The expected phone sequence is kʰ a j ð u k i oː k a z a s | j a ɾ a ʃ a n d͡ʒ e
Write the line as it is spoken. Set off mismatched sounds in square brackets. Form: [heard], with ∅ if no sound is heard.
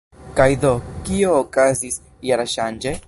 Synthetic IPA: [k] a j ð [o] k i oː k a z [i] s | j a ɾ a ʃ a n d͡ʒ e